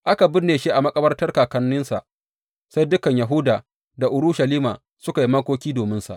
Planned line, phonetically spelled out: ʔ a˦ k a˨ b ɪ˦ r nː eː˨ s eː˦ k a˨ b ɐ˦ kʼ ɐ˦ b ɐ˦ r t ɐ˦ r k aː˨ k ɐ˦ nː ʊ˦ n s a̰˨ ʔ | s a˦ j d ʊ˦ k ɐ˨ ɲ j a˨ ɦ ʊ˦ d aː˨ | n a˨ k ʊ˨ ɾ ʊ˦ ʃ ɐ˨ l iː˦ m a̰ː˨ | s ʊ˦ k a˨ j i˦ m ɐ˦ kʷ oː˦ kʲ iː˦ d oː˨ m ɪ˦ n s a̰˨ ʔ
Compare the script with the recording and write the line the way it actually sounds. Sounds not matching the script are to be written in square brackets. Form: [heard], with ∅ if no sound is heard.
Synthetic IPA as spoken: ʔ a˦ k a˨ b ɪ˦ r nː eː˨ [ʃ] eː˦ [ʔ] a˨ [m] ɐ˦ kʼ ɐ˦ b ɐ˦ r t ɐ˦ r k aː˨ k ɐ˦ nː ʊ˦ n s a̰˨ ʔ | s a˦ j d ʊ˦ k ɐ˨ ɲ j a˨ ɦ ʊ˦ d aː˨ | [d] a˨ [ʔ] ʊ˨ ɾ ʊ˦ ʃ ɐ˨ l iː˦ m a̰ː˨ | s ʊ˦ k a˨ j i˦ m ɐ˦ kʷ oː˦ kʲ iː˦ d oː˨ m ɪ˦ n s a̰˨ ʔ

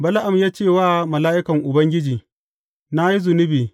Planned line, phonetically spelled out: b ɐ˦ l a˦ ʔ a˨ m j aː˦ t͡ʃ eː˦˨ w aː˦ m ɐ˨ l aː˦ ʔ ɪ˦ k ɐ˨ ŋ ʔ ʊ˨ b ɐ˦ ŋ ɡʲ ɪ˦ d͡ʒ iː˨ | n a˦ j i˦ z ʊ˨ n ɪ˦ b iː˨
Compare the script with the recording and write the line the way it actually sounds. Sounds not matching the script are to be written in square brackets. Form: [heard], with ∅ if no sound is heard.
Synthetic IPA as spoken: b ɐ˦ l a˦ ʔ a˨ m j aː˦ t͡ʃ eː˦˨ w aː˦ m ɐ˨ l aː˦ ʔ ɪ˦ k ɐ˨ ŋ ʔ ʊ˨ b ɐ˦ ŋ ɡʲ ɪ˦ d͡ʒ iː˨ | n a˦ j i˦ z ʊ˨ n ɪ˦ b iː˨

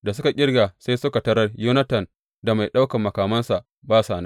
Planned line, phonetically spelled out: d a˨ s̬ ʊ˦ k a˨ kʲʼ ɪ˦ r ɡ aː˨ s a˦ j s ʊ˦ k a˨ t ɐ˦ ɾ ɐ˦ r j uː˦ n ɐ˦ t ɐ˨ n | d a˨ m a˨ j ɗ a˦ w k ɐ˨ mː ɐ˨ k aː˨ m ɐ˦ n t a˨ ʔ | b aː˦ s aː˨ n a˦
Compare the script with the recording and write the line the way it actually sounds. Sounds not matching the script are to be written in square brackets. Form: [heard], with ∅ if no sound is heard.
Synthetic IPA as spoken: d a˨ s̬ ʊ˦ k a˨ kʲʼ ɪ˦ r ɡ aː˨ s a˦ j s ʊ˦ k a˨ t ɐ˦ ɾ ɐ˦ r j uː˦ n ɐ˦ t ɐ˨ n | d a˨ m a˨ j ɗ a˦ w k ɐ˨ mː ɐ˨ k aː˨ m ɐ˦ n [s] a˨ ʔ | b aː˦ s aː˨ n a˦

